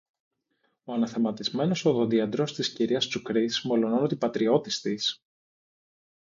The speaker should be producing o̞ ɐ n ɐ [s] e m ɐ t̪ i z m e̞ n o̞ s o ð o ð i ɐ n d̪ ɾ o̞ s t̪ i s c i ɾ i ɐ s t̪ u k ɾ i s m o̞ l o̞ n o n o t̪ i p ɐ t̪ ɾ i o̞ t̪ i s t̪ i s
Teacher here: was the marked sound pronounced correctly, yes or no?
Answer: no